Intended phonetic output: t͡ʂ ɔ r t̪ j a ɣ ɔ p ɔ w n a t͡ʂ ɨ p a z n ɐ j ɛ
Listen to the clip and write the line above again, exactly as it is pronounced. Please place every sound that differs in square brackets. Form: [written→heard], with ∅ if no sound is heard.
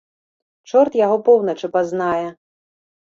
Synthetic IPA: t͡ʂ ɔ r t̪ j a ɣ ɔ p ɔ w n [a→ɐ] t͡ʂ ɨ p a z n [ɐ→a] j ɛ